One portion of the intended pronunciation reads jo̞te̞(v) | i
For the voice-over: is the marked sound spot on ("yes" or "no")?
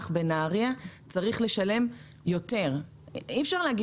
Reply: no